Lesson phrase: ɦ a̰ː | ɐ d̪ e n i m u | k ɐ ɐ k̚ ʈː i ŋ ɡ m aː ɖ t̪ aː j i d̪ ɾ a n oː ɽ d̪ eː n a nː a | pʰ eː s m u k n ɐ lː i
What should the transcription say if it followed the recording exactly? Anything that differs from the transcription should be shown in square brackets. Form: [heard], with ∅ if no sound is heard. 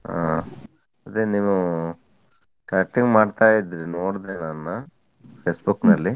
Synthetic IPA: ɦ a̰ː | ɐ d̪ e n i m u | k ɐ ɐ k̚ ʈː i ŋ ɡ m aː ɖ t̪ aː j i d̪ ɾ [i] n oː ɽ d̪ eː n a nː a | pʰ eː s [b] u k n ɐ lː i